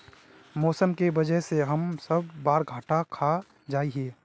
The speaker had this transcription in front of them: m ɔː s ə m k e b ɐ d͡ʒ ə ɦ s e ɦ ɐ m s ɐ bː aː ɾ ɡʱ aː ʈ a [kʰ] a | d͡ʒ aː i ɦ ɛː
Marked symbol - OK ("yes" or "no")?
yes